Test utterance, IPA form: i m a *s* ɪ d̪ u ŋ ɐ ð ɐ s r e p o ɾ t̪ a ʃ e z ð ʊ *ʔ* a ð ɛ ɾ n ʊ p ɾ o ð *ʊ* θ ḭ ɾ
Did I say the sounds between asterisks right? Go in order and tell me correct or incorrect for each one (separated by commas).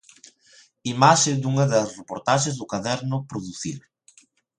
incorrect, incorrect, incorrect